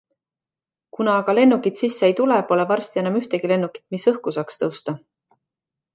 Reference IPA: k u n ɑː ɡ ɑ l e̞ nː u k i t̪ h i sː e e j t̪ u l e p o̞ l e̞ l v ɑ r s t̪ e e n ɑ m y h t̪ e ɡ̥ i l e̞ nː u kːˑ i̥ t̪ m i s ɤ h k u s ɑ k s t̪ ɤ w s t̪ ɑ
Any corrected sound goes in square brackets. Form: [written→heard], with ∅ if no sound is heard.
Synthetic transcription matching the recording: k u n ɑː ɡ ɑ l e̞ nː u k i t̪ [h→s] i sː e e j t̪ u l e p o̞ l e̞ [l→∅] v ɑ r s t̪ [e→i] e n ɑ m y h t̪ e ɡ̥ i l e̞ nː u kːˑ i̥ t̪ m i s ɤ h k u s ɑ k s t̪ ɤ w s t̪ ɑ